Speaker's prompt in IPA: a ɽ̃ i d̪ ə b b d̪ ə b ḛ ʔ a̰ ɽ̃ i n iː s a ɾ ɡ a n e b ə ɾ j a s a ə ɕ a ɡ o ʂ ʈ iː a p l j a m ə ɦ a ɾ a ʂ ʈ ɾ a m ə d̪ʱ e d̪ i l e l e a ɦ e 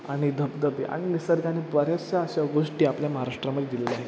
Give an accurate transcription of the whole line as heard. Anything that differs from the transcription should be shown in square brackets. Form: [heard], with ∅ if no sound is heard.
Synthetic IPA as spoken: a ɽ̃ i d̪ ə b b d̪ ə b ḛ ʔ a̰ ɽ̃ i n [i] s [ə] ɾ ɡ a n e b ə ɾ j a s a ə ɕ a ɡ o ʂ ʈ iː a p l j a m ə ɦ a ɾ a ʂ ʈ ɾ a m ə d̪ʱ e d̪ i l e l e a ɦ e